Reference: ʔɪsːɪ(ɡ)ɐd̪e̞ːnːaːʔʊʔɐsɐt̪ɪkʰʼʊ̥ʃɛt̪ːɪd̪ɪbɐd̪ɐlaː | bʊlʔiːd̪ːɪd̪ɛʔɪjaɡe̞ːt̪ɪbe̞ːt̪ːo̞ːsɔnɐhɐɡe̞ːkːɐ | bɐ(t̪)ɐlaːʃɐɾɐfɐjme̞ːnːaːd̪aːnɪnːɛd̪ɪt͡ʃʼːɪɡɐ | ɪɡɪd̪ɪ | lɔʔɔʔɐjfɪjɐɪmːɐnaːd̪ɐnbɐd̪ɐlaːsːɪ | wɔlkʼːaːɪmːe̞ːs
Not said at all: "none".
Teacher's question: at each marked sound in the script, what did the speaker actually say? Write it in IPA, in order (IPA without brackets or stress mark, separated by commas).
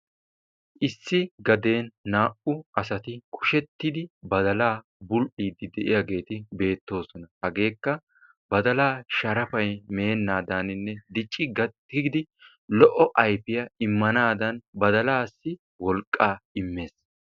ɡ, d̪